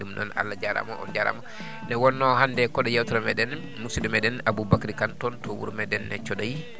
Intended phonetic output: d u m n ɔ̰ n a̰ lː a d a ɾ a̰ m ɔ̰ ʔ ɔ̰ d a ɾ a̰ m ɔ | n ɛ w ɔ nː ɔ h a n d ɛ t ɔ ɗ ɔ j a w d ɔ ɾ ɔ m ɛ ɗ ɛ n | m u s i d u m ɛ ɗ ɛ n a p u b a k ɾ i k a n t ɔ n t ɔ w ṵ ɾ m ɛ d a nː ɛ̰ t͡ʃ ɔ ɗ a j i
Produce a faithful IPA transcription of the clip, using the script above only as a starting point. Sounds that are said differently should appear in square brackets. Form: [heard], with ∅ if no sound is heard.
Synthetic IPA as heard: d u m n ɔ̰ n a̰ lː a [d͡ʒ] a ɾ a̰ m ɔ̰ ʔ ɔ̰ [d͡ʒ] a ɾ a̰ m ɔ | n ɛ w ɔ nː ɔ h a n d ɛ [k] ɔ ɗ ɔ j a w [t] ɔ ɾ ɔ m ɛ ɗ ɛ n | m u s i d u m ɛ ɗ ɛ n a [b] u b a k ɾ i k a n t ɔ n t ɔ w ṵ ɾ m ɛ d [ɛ] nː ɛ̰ t͡ʃ ɔ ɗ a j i